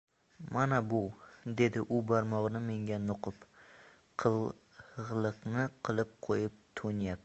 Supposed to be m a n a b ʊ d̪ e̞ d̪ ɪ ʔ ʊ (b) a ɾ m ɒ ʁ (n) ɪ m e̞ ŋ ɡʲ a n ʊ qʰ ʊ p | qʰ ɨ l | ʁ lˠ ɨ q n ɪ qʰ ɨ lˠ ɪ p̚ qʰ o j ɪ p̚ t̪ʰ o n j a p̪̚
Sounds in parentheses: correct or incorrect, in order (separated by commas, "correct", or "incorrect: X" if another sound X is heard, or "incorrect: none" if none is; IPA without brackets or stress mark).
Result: correct, correct